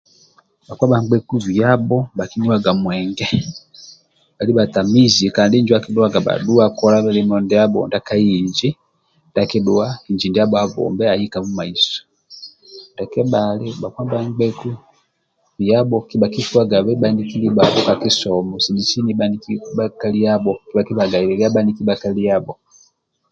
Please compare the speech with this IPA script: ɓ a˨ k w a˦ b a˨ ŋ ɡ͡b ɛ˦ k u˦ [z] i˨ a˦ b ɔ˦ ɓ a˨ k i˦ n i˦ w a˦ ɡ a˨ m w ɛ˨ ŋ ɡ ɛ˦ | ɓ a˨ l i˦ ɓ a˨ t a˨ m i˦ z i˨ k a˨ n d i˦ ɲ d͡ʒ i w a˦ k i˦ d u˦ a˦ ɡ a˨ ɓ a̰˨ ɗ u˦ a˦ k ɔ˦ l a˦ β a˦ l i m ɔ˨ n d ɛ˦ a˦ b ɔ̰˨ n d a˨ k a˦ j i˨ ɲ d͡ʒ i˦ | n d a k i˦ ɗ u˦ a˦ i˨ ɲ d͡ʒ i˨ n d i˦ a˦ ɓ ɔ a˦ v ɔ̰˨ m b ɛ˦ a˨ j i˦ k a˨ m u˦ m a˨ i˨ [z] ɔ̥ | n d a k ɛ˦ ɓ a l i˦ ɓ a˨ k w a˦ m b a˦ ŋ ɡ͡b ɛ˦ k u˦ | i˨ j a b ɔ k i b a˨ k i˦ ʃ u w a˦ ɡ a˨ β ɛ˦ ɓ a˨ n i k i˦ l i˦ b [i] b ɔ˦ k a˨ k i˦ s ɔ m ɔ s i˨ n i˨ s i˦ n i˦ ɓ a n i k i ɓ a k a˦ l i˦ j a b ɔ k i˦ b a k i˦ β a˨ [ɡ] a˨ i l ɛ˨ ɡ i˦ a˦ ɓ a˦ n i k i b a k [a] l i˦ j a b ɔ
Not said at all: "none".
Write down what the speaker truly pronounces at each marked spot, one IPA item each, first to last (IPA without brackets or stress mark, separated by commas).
v, s, a, ɡ, a